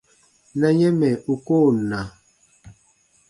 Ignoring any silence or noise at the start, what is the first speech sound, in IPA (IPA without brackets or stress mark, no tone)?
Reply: n